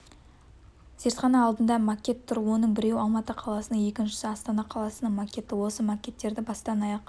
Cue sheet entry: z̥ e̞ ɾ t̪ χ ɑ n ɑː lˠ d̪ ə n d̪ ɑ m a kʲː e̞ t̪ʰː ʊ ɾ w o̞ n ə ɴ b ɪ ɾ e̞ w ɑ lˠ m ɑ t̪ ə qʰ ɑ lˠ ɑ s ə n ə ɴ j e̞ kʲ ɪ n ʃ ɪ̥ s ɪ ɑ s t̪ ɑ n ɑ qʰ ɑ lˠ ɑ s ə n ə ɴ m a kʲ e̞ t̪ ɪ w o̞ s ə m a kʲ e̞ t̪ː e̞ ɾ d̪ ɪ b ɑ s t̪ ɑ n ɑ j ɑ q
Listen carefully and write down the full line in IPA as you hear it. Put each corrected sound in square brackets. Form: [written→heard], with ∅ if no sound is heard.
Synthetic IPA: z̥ e̞ ɾ t̪ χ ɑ n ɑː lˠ d̪ ə n d̪ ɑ m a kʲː e̞ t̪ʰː ʊ ɾ w o̞ n ə ɴ b ɪ ɾ e̞ w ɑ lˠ m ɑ t̪ ə qʰ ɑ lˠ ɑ s ə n ə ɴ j e̞ kʲ ɪ n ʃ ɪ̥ s ɪ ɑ s t̪ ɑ n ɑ qʰ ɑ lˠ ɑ s ə n ə ɴ m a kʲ e̞ t̪ ɪ w o̞ s ə m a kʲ e̞ t̪ː e̞ ɾ d̪ ɪ b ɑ s t̪ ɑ n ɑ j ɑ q